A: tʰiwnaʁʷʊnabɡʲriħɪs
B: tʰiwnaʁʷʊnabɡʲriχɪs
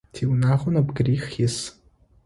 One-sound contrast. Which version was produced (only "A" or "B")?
B